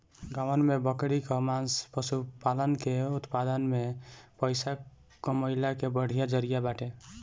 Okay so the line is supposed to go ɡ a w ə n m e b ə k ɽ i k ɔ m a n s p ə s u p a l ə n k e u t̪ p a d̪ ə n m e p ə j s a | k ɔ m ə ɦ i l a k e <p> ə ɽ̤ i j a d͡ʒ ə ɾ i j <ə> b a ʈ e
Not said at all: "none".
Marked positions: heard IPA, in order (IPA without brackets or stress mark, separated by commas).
b, a